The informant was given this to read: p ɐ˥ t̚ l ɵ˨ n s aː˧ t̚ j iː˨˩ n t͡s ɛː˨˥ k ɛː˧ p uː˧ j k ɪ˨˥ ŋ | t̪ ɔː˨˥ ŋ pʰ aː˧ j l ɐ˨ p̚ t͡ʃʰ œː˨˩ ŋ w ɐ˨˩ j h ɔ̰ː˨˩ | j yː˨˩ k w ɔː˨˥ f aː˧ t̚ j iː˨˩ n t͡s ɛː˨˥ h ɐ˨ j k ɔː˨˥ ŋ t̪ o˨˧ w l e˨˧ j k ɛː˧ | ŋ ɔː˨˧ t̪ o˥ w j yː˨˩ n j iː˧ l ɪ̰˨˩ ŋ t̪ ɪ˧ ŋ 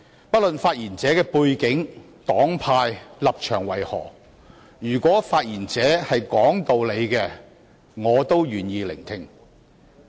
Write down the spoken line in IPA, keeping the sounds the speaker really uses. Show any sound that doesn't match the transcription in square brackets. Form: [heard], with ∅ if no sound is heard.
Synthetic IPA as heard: p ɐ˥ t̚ l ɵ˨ n [f] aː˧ t̚ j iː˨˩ n t͡s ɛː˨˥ k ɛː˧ p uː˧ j k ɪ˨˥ ŋ | t̪ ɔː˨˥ ŋ pʰ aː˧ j l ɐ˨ p̚ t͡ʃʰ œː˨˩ ŋ w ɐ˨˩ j h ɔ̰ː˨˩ | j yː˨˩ k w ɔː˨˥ f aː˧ t̚ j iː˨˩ n t͡s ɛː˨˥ h ɐ˨ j k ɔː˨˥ ŋ t̪ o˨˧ w l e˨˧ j k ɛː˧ | ŋ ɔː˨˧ t̪ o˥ w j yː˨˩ n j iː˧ l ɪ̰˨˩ ŋ [t̪ʰ] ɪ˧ ŋ